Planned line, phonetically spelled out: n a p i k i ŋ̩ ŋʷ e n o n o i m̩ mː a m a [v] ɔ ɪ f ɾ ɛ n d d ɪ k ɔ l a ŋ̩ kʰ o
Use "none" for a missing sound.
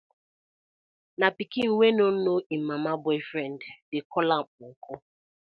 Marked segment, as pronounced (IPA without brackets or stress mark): b